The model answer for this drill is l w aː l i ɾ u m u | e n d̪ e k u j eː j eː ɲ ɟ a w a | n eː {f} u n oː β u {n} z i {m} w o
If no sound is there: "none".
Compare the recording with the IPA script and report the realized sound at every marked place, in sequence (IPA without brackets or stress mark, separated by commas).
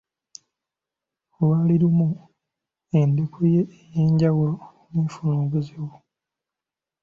f, none, none